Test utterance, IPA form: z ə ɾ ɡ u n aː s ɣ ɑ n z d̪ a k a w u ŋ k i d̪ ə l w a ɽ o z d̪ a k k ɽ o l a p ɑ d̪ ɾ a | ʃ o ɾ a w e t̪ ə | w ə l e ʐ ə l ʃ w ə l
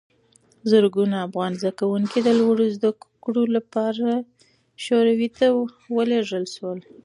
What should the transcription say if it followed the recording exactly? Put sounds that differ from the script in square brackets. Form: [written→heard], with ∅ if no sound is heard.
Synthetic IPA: z ə ɾ ɡ u n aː [s→f] ɣ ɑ n z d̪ a k a w u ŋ k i d̪ ə l w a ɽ o z d̪ a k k ɽ o l a p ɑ [d̪→∅] ɾ a | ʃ o ɾ a w [e→i] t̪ [ə→a] | w ə l e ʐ ə l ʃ w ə l

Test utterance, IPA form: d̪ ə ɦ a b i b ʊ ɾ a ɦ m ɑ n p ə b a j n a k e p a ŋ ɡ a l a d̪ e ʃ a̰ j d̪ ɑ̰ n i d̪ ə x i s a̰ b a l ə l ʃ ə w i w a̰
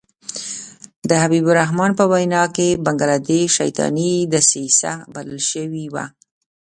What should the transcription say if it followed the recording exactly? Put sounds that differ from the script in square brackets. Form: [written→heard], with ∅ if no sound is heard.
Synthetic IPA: d̪ ə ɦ a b i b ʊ ɾ a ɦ m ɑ n p ə [b→w] a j n [a→ɑ] k e [p→b] a ŋ ɡ a l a d̪ e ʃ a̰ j [d̪→t̪] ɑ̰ n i d̪ ə [x→s] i s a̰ b a l ə l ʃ ə w i w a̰

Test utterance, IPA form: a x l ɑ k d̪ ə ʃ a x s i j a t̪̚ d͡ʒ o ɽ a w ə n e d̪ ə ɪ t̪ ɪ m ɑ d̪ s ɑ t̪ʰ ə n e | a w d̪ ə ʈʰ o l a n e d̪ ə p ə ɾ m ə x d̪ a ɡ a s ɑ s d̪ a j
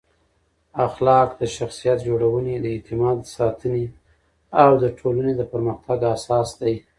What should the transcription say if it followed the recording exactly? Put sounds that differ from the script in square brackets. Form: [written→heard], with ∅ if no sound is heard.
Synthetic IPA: a x l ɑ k d̪ ə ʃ a x s i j a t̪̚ d͡ʒ o ɽ a w ə n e d̪ ə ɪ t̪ ɪ m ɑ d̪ s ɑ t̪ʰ ə n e | a w d̪ ə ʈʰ o l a n e d̪ ə p ə ɾ m ə x [d̪→t̪] a ɡ a s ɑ s d̪ a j

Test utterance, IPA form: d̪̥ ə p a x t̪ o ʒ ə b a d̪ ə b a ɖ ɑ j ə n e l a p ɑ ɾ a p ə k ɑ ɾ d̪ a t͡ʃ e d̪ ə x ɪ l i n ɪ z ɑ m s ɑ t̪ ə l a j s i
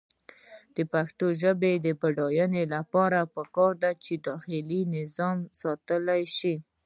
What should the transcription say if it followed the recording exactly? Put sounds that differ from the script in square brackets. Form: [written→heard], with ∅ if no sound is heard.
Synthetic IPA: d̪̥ ə p a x t̪ o ʒ ə b [a→e] d̪ ə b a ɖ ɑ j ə n e l a p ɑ ɾ a p ə k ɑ ɾ d̪ a t͡ʃ e d̪ [ə→ɑ] x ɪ l i n ɪ z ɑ m s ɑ t̪ ə l a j [s→ʃ] i

